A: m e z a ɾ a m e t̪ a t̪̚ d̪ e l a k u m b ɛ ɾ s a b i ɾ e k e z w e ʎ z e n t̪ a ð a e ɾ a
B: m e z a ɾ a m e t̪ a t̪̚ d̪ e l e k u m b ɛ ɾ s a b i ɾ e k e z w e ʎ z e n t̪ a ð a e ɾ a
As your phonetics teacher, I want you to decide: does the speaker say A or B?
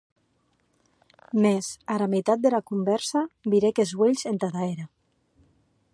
A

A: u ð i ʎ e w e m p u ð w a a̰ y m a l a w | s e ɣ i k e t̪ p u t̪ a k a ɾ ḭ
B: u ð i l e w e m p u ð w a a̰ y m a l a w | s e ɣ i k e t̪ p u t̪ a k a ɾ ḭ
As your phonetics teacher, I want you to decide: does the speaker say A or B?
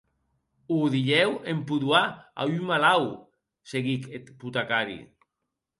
A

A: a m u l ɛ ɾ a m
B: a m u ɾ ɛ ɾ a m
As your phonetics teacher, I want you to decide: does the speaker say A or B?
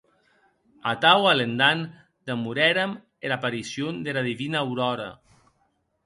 B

